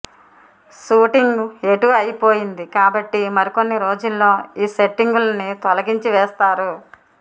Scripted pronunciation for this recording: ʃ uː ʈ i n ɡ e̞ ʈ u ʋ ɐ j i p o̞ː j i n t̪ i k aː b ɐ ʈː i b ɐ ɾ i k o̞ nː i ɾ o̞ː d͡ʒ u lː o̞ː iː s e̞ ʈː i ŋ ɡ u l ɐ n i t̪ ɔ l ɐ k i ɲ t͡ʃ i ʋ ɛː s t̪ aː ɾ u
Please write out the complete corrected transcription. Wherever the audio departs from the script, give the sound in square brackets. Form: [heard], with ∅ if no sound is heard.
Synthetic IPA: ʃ uː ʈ i [ŋ] ɡ e̞ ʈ u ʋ ɐ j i p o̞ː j i n [d̪] i k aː b ɐ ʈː i [m] ɐ ɾ i k o̞ nː i ɾ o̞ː d͡ʒ u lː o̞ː iː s e̞ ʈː i ŋ ɡ u l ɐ n i t̪ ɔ l ɐ [ɡ] i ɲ t͡ʃ i ʋ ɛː s t̪ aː ɾ u

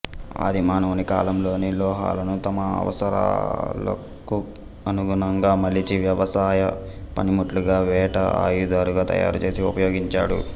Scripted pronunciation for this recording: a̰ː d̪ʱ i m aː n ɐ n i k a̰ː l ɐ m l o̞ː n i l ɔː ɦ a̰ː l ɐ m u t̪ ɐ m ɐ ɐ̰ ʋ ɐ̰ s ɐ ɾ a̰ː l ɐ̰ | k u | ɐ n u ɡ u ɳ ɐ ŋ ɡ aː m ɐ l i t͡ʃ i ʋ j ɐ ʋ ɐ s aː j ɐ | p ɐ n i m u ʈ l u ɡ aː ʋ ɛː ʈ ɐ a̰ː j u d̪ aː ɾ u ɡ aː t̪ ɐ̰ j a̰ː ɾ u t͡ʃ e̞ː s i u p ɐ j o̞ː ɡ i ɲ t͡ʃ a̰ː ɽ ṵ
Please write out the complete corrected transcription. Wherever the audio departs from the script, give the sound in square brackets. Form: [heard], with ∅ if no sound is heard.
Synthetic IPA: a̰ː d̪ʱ i m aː n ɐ n i k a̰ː l ɐ m l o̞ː n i l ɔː ɦ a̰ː l ɐ [n] u t̪ ɐ m ɐ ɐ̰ ʋ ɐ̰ s ɐ ɾ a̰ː l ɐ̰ | k u | ɐ n u ɡ u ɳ ɐ ŋ ɡ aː m ɐ l i t͡ʃ i ʋ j ɐ ʋ ɐ s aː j ɐ | p ɐ n i m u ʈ l u ɡ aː ʋ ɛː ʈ ɐ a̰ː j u d̪ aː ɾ u ɡ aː t̪ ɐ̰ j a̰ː ɾ u t͡ʃ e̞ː s i u p ɐ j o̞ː ɡ i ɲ t͡ʃ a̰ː ɽ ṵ

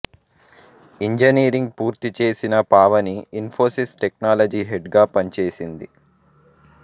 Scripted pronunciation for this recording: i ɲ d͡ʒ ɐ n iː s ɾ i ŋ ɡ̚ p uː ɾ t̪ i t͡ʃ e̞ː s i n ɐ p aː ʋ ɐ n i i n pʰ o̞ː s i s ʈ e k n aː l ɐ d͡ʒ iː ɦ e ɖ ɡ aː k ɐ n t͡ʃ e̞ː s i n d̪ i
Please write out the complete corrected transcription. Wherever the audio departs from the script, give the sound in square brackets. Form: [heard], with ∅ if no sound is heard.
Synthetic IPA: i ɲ d͡ʒ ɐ n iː [∅] ɾ i ŋ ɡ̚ p uː ɾ t̪ i t͡ʃ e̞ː s i n ɐ p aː ʋ ɐ n i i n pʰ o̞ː s i s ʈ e k n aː l ɐ d͡ʒ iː ɦ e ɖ ɡ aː [p] ɐ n t͡ʃ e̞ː s i n d̪ i

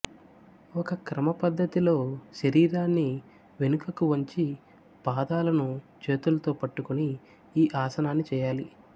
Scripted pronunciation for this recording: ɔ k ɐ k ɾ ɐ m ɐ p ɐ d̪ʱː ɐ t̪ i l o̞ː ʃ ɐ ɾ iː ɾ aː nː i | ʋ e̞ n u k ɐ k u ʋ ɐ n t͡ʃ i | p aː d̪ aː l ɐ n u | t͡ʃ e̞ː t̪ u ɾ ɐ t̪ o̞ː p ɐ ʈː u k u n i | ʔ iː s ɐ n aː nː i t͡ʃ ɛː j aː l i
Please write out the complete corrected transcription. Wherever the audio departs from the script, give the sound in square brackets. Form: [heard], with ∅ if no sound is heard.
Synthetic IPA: ɔ k ɐ k ɾ ɐ m ɐ p ɐ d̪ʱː ɐ t̪ i l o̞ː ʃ ɐ ɾ iː ɾ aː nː i | ʋ e̞ n u k ɐ k u ʋ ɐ [ɲ] t͡ʃ i | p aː d̪ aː l ɐ n u | t͡ʃ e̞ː t̪ u [l] ɐ t̪ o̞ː p ɐ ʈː u k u n [iː] | ʔ [aː] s ɐ n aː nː i t͡ʃ ɛː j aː l i

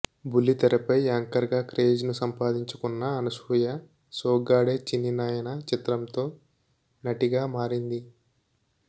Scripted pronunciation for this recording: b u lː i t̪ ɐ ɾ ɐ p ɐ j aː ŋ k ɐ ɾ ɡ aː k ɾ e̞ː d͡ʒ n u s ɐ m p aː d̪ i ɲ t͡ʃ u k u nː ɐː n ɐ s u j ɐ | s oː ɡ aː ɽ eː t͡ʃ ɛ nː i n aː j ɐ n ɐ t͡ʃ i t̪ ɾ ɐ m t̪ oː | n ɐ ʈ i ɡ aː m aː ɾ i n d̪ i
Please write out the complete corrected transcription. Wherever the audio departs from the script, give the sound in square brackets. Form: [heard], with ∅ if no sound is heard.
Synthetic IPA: b u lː i t̪ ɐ ɾ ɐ p ɐ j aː ŋ k ɐ ɾ ɡ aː k ɾ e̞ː d͡ʒ n u s ɐ m p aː d̪ i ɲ t͡ʃ u k u nː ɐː n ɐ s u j ɐ | s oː ɡ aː ɽ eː t͡ʃ [i] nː i n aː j ɐ n ɐ t͡ʃ i t̪ ɾ ɐ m t̪ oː | n ɐ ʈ i ɡ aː m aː ɾ i n d̪ i

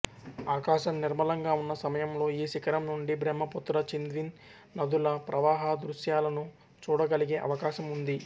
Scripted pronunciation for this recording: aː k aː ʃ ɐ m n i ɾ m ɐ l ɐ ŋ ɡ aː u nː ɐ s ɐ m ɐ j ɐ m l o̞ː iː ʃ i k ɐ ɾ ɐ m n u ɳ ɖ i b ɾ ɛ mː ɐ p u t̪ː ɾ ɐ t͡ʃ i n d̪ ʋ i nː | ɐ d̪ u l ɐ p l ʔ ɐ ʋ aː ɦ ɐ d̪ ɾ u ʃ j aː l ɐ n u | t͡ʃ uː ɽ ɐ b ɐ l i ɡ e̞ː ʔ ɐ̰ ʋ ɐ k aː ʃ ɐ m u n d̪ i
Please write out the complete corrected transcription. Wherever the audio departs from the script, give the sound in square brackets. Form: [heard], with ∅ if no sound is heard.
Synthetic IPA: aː k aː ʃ ɐ m n i ɾ m ɐ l ɐ ŋ ɡ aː u nː ɐ s ɐ m ɐ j ɐ m l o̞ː iː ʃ i k ɐ ɾ ɐ m n u ɳ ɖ i b ɾ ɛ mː ɐ p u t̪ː ɾ ɐ t͡ʃ i n d̪ ʋ i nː | ɐ d̪ u l ɐ p [ɾ] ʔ ɐ ʋ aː ɦ ɐ d̪ ɾ u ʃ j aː l ɐ n u | t͡ʃ uː ɽ ɐ [ɡ] ɐ l i ɡ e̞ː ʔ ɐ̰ ʋ ɐ k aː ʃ ɐ m u n d̪ i

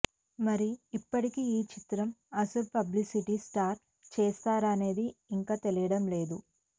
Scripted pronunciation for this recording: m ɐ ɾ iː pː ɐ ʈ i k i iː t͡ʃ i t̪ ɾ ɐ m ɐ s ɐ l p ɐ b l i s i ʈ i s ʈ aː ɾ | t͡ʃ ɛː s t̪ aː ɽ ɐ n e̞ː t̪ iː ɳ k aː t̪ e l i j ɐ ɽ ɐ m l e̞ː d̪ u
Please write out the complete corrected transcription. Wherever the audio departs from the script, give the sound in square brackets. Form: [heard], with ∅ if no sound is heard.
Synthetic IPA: m ɐ ɾ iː pː ɐ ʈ i k i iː t͡ʃ i t̪ ɾ ɐ m ɐ s ɐ l p ɐ b l i s i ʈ i s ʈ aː ɾ | t͡ʃ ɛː s t̪ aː [ɾ] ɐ n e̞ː [d̪] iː [ŋ] k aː t̪ e l i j ɐ ɽ ɐ m l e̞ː d̪ u

